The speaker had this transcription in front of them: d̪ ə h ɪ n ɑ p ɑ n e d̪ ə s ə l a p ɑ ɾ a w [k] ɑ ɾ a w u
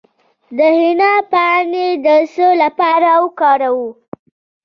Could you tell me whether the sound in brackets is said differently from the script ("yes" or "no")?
no